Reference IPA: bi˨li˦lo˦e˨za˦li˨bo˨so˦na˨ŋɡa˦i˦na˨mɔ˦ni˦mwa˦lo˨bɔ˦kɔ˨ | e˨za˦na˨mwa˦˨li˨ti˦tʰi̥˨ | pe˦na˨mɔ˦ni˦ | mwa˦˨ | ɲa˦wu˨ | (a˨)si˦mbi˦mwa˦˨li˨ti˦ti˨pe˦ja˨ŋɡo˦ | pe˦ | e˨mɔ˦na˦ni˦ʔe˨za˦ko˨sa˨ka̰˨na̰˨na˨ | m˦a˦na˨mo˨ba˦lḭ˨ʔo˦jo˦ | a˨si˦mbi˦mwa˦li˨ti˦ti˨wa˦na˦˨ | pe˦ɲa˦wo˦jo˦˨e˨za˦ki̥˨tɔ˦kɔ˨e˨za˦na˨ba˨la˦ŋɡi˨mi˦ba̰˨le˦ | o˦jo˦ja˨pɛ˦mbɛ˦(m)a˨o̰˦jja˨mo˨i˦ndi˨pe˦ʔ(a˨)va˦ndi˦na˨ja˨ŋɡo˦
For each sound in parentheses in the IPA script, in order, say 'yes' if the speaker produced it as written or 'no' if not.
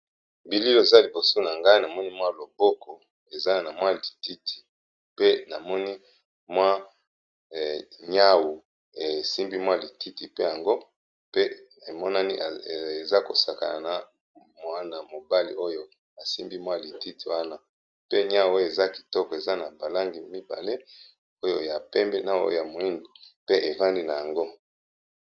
no, no, no

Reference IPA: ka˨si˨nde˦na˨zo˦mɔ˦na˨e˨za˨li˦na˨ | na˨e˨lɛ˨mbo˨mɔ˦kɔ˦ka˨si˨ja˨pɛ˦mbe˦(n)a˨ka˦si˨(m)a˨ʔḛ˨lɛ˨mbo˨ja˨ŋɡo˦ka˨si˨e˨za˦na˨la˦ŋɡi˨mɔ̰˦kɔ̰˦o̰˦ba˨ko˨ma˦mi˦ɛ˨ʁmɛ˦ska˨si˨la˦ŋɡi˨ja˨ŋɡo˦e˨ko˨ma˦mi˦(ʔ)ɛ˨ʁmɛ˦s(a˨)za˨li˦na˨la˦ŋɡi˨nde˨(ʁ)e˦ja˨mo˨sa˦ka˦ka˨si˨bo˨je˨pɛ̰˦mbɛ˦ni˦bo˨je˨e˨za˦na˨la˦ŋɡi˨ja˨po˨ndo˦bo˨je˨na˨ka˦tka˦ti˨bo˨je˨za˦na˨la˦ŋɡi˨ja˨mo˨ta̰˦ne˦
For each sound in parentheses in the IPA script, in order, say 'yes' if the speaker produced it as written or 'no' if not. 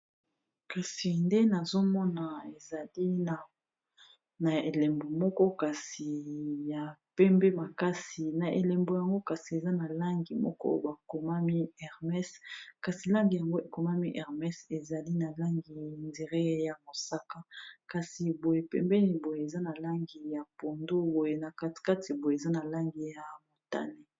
no, no, yes, no, yes

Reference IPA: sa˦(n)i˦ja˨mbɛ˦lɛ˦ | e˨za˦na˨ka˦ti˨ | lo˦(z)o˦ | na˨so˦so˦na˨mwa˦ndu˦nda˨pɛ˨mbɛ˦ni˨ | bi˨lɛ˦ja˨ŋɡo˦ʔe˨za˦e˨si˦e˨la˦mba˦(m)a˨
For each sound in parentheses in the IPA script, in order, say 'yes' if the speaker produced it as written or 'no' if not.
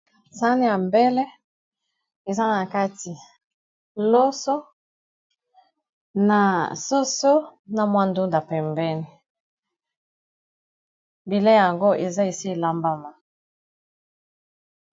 yes, no, yes

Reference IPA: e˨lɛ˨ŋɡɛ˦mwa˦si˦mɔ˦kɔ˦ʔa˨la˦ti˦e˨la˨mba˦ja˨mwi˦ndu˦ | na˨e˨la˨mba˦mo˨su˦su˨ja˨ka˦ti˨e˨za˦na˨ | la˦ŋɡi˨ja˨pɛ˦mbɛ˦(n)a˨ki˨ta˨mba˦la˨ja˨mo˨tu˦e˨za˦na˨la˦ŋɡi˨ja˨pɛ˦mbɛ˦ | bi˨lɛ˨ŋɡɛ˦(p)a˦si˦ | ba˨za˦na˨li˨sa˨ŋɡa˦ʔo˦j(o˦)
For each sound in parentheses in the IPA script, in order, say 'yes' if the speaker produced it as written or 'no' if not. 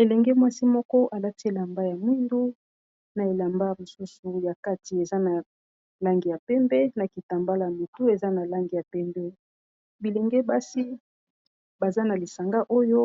yes, no, yes

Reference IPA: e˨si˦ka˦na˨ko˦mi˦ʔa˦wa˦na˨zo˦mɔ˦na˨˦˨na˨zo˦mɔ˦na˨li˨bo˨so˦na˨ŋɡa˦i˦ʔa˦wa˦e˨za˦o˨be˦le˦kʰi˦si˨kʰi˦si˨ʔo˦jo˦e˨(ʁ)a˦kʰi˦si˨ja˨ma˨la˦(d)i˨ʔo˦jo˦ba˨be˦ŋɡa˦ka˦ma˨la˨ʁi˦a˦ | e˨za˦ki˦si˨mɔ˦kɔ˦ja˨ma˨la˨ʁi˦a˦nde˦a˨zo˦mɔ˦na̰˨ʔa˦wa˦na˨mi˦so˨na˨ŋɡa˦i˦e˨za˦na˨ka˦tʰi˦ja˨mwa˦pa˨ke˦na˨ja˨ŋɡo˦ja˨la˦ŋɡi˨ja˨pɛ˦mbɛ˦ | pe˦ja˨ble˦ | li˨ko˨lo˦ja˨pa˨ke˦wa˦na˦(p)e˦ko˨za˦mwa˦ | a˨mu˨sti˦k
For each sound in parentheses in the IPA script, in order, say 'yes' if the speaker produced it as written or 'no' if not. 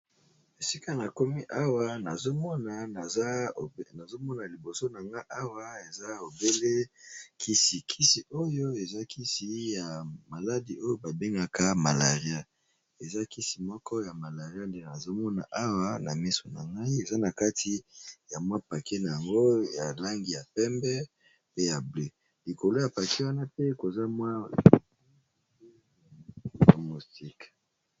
no, yes, yes

